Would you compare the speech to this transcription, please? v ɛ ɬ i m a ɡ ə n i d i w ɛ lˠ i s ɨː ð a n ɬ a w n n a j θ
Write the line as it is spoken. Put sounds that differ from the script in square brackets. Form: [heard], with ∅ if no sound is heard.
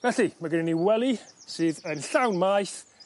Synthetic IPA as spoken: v ɛ ɬ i m a ɡ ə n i [n] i w ɛ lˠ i s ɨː ð [ə] n ɬ a w n [m] a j θ